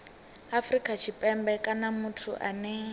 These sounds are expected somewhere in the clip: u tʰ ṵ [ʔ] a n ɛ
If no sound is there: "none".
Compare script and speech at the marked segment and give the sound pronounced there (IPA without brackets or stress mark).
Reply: ʔ